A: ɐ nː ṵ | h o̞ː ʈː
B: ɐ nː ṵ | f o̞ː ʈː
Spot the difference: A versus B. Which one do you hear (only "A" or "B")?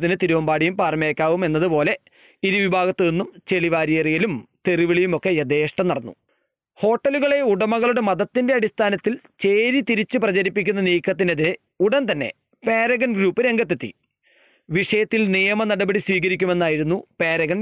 A